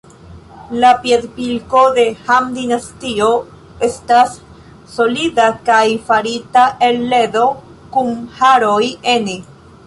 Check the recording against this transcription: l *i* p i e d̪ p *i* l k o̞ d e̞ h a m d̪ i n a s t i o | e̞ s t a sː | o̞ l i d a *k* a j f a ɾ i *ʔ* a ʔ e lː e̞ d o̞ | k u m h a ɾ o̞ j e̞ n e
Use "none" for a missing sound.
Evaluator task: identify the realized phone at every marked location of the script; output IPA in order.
a, i, k, t

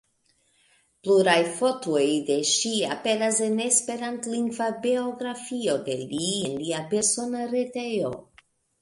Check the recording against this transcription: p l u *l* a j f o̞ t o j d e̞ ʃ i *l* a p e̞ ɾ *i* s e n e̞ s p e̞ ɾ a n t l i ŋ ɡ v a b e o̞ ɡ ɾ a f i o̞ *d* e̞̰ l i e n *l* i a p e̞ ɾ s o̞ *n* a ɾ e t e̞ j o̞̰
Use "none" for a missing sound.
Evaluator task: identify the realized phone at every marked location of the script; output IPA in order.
ɾ, none, a, d, l, n

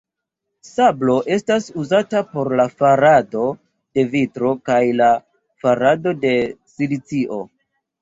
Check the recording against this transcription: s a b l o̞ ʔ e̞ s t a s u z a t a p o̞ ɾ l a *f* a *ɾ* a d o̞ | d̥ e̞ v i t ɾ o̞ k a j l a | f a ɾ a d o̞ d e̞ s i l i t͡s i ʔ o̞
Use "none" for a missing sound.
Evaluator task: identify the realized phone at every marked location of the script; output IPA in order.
f, ɾ

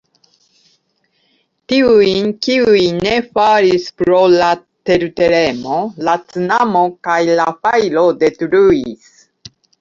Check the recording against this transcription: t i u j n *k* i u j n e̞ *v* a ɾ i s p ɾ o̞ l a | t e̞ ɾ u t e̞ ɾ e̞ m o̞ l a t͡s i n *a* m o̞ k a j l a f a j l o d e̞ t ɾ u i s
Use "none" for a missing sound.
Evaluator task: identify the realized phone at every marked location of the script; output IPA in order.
k, f, a

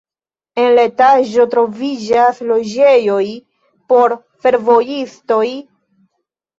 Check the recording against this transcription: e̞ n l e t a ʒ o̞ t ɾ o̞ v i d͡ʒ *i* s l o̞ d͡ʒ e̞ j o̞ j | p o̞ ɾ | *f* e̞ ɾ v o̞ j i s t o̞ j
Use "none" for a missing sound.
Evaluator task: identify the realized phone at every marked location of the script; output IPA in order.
a, f

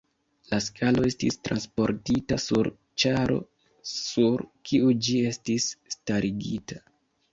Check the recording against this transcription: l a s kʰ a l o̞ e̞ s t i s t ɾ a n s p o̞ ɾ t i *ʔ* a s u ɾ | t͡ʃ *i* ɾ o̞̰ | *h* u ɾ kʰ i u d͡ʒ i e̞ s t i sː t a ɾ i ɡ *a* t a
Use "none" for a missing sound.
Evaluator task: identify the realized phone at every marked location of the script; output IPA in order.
t, a, s, i

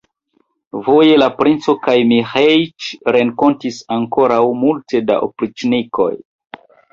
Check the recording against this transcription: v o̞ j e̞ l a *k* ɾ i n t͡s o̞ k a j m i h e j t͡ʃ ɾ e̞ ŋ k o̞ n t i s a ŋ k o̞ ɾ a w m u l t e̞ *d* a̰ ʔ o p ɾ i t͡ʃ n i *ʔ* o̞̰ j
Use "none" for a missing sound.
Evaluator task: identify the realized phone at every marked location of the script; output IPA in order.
p, d, k

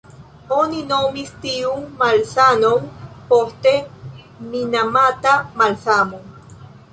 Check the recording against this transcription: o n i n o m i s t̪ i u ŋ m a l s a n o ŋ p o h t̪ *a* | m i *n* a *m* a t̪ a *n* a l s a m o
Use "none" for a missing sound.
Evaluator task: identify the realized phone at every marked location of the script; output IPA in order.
e, n, m, m

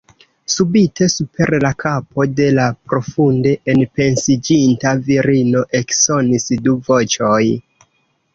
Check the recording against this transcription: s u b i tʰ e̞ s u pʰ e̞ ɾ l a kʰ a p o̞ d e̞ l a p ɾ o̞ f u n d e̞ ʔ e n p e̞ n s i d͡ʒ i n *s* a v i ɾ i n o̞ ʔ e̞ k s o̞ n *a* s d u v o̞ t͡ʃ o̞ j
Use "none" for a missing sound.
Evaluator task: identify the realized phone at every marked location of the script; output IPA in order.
t, i

